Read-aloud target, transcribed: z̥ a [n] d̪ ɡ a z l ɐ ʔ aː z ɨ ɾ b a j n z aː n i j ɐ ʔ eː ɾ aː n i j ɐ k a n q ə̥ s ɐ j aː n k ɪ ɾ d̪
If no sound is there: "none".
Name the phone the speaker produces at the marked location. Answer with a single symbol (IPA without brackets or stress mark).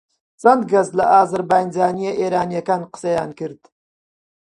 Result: n